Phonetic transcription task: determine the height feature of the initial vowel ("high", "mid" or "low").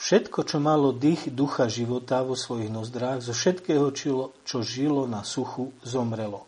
mid